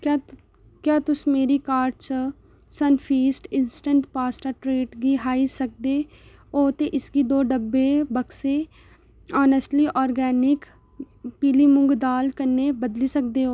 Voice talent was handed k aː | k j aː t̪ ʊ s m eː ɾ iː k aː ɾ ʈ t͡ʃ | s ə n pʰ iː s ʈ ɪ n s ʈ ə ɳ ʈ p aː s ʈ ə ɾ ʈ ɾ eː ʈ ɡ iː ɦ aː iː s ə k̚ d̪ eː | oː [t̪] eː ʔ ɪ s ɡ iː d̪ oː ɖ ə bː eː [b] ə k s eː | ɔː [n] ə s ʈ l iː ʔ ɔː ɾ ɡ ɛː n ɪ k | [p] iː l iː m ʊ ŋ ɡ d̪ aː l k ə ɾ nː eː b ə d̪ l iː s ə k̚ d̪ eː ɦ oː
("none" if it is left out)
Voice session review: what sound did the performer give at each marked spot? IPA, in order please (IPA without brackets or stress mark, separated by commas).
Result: t̪, b, n, p